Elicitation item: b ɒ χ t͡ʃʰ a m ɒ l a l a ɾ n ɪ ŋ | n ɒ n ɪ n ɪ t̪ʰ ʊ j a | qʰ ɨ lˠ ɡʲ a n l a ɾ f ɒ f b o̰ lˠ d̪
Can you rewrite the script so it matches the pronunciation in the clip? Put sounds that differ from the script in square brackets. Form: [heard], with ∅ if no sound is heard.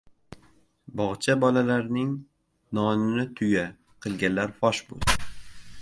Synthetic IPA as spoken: b ɒ [ʁ] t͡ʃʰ a [b] ɒ l a l a ɾ n ɪ ŋ | n ɒ n ɪ n ɪ t̪ʰ ʊ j a | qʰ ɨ lˠ ɡʲ a n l a ɾ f ɒ [ʃ] b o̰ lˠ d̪